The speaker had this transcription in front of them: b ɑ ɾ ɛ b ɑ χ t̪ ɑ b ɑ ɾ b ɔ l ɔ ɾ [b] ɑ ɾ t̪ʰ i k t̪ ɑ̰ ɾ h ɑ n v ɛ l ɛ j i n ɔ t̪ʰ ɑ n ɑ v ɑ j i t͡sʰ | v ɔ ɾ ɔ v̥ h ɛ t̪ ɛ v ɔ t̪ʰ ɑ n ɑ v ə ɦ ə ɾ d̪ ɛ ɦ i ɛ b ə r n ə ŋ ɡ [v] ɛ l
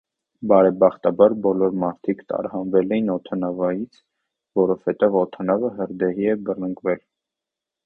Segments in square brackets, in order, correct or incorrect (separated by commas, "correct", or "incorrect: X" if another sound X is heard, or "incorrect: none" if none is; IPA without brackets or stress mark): incorrect: m, correct